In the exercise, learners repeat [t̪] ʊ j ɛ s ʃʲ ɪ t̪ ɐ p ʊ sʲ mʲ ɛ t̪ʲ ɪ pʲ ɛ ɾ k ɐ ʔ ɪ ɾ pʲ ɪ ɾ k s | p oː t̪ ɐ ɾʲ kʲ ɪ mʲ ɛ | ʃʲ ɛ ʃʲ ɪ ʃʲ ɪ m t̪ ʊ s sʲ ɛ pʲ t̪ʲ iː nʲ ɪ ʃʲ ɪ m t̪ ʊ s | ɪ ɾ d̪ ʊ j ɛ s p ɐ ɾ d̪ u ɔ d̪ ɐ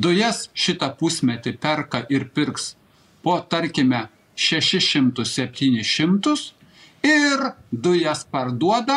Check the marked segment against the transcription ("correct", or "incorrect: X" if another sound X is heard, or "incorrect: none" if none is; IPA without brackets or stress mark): incorrect: d̪